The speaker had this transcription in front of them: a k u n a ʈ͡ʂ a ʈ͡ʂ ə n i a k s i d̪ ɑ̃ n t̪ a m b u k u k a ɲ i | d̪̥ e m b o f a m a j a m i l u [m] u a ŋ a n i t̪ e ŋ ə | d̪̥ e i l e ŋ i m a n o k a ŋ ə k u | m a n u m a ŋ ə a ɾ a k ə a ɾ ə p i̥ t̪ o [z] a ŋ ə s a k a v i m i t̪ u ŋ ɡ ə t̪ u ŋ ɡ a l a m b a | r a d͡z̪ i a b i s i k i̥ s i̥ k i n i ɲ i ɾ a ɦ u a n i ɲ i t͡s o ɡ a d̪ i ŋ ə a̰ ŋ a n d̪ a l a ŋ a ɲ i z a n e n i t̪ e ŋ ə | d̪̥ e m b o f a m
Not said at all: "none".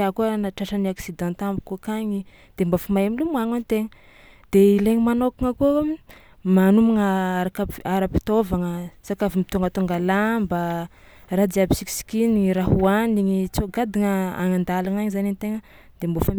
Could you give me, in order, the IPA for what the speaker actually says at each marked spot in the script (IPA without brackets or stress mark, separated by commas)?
m, v